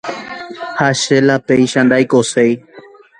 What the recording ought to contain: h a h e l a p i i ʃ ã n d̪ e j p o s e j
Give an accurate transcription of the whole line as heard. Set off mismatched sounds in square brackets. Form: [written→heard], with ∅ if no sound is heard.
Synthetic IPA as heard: h a [h→ʃ] e l a p [i→e] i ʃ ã n d̪ [e→a] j [p→k] o s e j

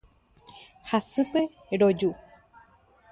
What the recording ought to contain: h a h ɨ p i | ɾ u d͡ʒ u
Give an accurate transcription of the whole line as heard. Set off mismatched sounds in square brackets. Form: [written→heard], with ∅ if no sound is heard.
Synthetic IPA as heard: h a [h→s] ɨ p [i→e] | ɾ [u→o] d͡ʒ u

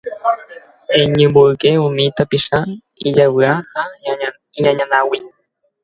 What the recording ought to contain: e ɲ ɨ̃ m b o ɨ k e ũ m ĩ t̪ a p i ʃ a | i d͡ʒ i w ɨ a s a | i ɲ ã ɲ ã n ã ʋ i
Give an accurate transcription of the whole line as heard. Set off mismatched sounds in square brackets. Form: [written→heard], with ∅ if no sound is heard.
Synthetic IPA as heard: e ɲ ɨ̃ m b o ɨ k e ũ m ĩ t̪ a p i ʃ a | i d͡ʒ [i→a] w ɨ a [s→h] a | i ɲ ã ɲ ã n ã [ʋ→w] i

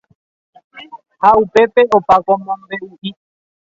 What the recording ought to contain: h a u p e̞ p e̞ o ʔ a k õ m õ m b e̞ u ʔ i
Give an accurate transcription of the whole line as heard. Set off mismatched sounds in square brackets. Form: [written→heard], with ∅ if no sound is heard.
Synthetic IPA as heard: h a u p e̞ p e̞ o [ʔ→p] a k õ m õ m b e̞ u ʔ i

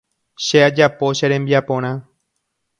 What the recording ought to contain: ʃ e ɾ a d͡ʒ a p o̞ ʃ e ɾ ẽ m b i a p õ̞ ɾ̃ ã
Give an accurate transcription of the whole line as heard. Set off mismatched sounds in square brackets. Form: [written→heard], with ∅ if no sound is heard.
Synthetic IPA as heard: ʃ e [ɾ→∅] a d͡ʒ a p o̞ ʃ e ɾ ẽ m b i a p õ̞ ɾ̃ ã

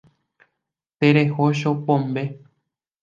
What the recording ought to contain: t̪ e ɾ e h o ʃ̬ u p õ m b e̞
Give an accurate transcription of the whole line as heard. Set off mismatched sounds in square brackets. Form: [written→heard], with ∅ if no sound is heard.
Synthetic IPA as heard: t̪ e ɾ e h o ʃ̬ [u→o] p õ m b e̞

